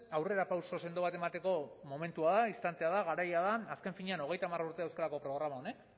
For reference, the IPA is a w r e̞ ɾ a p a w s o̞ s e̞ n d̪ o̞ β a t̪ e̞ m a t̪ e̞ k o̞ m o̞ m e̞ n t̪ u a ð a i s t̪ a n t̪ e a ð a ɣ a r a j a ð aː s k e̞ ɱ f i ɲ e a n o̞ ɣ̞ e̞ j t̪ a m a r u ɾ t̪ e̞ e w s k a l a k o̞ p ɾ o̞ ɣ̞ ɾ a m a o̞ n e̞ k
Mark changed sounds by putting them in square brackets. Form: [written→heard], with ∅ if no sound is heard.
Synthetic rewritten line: a w r e̞ ɾ a p a w s o̞ s e̞ n d̪ o̞ β a t̪ e̞ m a t̪ e̞ k o̞ m o̞ m e̞ n t̪ u a ð a i s t̪ a n t̪ e a ð a ɣ a [r→ɾ] a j a ð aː s k e̞ ɱ f i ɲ e a n o̞ ɣ̞ e̞ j t̪ a m a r u ɾ t̪ e̞ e w s k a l a k o̞ p ɾ o̞ ɣ̞ ɾ a m a o̞ n e̞ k